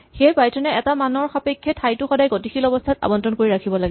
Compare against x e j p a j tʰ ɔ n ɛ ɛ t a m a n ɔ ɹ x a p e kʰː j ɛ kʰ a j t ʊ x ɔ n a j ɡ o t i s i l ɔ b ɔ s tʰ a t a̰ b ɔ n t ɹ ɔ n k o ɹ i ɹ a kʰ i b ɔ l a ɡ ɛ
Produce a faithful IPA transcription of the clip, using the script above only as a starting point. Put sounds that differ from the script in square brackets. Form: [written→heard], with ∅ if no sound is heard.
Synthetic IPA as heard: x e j p a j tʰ ɔ n ɛ ɛ t a m a n ɔ ɹ x a p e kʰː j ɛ [kʰ→tʰ] a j t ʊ x ɔ [n→d] a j ɡ o t i [s→x] i l ɔ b ɔ s tʰ a t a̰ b ɔ n t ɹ ɔ n k o ɹ i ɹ a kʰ i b ɔ l a ɡ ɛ